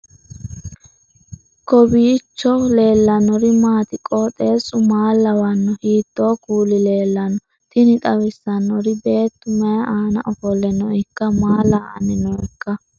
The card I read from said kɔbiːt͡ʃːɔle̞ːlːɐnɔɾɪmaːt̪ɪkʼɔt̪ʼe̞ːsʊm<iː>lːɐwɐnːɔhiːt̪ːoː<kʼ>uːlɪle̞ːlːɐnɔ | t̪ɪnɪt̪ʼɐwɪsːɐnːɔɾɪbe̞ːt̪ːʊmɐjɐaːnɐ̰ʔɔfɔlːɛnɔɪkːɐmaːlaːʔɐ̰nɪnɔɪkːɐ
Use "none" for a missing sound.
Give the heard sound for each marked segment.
aː, k

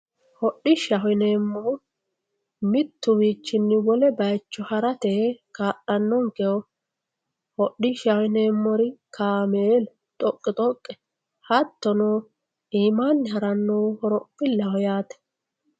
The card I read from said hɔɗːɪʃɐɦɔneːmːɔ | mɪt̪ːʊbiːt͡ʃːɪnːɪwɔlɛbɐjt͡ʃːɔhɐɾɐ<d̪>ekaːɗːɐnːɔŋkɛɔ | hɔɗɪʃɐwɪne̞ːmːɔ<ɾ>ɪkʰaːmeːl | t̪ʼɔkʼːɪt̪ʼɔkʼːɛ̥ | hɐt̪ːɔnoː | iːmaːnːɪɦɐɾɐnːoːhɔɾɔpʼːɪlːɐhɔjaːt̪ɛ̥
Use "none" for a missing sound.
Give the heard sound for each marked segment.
t̪, ɾ

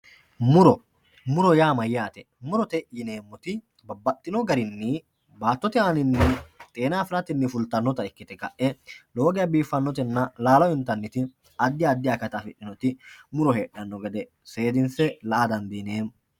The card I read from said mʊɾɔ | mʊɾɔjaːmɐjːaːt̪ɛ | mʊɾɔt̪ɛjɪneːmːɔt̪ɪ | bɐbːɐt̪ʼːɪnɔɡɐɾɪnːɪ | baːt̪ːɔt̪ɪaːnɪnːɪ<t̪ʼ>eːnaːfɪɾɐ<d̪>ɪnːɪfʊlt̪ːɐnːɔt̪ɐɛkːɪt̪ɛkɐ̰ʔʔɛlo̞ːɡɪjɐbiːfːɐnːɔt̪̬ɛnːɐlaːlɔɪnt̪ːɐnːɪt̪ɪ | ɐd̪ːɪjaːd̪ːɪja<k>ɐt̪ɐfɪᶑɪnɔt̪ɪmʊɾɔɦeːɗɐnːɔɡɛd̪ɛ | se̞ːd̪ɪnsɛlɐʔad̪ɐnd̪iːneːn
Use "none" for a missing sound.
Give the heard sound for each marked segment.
t̪ʼ, t̪, k

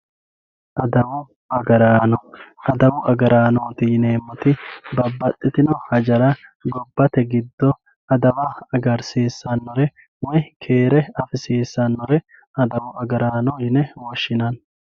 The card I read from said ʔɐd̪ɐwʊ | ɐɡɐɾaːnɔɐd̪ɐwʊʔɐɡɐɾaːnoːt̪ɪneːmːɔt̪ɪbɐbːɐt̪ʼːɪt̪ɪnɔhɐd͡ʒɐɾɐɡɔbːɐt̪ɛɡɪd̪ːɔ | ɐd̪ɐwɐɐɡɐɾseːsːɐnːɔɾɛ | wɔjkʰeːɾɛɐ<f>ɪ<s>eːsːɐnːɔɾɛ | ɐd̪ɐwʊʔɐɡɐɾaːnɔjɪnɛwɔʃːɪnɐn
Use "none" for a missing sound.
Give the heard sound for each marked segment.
f, s

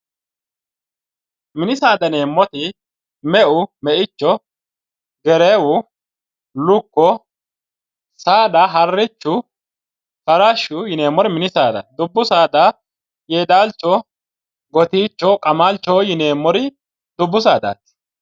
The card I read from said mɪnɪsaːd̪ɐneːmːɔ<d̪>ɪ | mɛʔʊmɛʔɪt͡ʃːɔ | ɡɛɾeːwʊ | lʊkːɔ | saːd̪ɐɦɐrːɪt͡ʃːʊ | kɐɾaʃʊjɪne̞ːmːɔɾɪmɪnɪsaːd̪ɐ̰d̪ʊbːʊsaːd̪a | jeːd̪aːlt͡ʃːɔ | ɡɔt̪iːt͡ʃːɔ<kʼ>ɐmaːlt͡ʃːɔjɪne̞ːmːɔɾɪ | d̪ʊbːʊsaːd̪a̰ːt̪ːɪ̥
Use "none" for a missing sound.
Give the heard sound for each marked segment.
t̪, kʼ

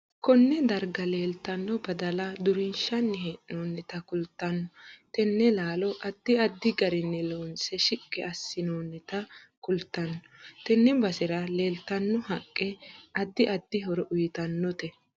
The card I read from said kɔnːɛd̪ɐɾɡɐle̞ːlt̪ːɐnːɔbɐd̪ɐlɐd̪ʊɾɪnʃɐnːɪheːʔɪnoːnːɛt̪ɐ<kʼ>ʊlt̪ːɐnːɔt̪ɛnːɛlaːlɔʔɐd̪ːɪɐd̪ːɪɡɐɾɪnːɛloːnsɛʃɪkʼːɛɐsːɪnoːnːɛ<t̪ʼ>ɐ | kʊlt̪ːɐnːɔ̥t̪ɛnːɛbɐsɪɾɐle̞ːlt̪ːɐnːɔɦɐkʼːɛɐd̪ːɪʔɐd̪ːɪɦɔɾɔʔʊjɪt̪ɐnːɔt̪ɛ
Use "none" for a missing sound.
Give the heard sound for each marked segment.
k, t̪

